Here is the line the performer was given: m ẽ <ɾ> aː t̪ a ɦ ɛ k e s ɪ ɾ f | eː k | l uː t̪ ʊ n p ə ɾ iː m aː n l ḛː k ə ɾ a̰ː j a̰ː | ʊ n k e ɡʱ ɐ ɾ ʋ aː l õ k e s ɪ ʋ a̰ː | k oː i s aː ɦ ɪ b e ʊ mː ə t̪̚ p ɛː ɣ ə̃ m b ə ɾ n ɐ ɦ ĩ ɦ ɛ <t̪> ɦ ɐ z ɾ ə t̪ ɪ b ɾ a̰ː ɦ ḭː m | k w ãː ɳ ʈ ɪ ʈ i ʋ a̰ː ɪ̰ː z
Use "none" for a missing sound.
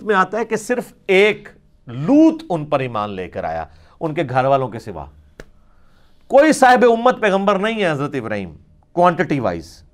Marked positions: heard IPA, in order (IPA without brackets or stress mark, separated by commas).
none, none